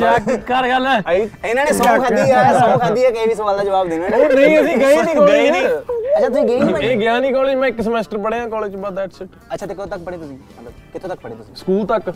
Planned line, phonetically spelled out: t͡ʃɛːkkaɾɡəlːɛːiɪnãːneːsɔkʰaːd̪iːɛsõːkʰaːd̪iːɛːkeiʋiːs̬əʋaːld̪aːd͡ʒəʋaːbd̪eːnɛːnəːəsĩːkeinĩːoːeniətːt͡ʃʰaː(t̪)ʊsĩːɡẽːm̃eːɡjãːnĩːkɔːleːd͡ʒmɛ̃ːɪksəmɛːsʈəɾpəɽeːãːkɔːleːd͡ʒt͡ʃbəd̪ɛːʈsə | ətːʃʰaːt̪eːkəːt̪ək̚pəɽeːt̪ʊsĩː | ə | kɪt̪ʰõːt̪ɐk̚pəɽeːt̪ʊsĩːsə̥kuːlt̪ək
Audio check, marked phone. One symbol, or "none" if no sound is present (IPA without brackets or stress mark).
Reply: t̪